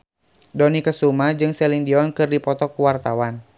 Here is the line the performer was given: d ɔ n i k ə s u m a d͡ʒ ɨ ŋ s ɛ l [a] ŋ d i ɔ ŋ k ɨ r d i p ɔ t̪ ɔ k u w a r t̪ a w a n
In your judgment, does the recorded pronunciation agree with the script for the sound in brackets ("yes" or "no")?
no